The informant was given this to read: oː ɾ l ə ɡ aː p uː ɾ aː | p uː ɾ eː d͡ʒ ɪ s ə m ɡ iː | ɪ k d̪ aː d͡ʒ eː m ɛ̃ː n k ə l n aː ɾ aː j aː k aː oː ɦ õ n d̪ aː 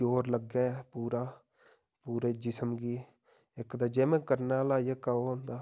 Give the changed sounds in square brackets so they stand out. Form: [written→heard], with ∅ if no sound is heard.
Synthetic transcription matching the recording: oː ɾ l ə ɡ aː p uː ɾ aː | p uː ɾ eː d͡ʒ ɪ s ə m ɡ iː | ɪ k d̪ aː d͡ʒ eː m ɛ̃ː [n→∅] k ə [l→ɾ] n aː [ɾ→l] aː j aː k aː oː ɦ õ n d̪ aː